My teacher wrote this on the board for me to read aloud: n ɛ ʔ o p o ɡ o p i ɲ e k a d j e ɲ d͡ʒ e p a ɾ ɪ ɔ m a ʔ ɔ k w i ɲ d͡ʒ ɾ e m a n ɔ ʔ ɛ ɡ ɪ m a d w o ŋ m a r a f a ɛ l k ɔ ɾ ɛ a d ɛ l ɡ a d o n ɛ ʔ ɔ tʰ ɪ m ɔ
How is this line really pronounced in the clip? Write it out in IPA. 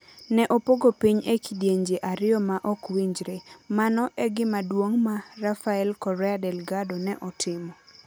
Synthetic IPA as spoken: n ɛ ʔ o p o ɡ o p i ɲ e k i d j e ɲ d͡ʒ e ʔ a ɾ ɪ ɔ m a ʔ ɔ k w i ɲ d͡ʒ ɾ e m a n ɔ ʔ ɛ ɡ ɪ m a d w o ŋ m a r a f a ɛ l k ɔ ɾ ɛ a d ɛ l ɡ a d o n ɛ ʔ ɔ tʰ ɪ m ɔ

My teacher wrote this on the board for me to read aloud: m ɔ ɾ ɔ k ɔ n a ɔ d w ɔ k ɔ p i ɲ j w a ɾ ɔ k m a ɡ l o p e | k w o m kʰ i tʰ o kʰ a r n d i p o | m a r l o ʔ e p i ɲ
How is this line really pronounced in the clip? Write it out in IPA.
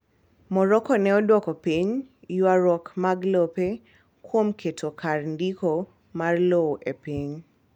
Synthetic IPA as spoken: m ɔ ɾ ɔ k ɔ n ɛ ɔ d w ɔ k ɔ p i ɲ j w a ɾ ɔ k m a ɡ l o p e | k w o m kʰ e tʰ o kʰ a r n d i k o | m a r l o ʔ e p i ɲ

